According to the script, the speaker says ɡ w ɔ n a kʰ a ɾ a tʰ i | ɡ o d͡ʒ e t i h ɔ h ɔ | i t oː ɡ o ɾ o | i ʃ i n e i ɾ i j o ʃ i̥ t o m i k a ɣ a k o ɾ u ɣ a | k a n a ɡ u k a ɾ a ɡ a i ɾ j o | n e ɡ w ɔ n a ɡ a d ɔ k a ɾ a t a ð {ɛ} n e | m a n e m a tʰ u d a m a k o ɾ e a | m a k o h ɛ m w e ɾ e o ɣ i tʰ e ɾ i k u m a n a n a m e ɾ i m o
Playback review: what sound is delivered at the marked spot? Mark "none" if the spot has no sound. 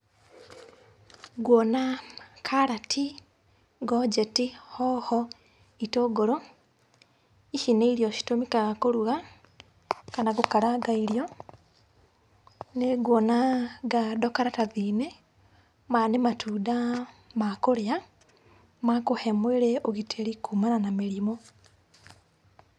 i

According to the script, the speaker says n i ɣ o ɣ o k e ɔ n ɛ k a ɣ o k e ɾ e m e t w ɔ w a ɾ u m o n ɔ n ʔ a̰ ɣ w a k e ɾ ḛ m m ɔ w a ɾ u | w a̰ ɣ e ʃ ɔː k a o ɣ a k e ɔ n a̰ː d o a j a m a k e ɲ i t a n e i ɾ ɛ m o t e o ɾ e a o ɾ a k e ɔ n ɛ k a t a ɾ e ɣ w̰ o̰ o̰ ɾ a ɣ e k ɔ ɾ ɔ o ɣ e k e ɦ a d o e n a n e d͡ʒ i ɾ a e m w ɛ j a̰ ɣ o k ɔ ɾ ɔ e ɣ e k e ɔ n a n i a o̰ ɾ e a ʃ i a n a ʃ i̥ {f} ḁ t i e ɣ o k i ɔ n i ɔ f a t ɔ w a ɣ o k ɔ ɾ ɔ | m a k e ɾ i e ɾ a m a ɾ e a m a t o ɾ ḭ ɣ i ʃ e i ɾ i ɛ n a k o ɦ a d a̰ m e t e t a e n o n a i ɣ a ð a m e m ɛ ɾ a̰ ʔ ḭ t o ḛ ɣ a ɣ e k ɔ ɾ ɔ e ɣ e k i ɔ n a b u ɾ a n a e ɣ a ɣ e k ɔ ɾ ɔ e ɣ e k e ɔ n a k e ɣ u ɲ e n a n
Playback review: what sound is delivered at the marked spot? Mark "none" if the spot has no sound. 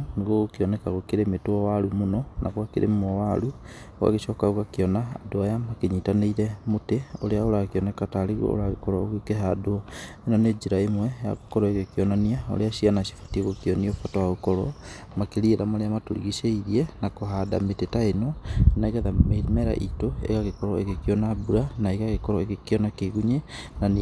f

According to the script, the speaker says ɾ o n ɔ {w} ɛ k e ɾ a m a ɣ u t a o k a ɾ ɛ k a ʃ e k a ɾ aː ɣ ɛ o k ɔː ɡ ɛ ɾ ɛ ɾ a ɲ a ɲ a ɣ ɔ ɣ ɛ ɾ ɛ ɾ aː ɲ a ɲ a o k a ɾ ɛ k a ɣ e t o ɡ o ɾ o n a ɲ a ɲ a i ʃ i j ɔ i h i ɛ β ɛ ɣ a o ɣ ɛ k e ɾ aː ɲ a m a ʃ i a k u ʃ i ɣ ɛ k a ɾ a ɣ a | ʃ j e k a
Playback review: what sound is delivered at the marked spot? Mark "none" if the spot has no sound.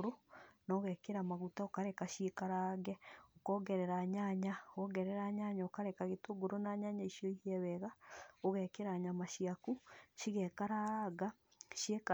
ɣ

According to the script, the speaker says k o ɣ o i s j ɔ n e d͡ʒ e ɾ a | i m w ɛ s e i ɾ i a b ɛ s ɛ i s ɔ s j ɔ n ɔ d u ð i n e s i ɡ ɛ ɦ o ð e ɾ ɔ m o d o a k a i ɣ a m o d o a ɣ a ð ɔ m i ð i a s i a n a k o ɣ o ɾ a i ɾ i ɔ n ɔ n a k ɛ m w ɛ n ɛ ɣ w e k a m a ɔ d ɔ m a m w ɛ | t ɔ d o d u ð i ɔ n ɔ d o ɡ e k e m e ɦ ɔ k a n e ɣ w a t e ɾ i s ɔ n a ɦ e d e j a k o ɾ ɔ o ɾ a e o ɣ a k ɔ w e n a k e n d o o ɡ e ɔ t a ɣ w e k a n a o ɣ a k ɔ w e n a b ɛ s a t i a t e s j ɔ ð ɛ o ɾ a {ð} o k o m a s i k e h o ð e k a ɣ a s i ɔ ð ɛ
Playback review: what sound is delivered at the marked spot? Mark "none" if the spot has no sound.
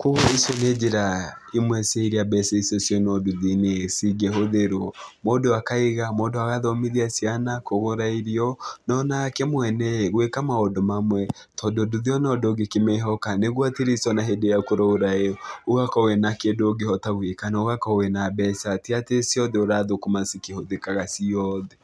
ð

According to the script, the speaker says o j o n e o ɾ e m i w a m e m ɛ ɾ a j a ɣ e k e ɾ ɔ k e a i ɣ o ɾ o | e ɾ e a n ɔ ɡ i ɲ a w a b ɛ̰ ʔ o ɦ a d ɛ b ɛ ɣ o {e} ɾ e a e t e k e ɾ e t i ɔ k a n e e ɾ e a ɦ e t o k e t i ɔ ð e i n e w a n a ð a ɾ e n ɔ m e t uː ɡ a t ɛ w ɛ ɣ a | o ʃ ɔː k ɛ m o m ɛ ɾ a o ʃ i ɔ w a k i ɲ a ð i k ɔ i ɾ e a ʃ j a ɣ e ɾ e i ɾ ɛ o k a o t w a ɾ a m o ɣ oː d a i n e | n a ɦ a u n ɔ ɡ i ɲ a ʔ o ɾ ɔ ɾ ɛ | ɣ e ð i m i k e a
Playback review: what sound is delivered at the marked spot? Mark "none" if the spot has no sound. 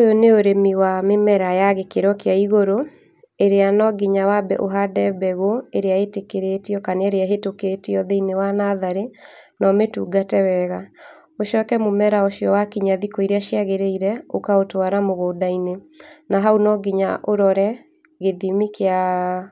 e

